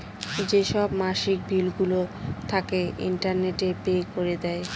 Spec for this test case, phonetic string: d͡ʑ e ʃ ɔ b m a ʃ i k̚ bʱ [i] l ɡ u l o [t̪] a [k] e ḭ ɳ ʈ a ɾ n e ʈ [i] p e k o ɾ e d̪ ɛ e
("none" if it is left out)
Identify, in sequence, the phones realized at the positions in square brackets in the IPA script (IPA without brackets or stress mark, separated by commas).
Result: i, t̪ʰ, k, e